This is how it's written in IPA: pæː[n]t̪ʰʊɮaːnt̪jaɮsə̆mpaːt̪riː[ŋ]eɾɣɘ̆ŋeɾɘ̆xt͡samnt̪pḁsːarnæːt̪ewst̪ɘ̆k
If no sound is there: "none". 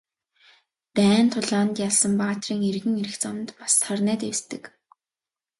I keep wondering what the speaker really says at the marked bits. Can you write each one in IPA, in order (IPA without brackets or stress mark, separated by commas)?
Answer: n, ŋ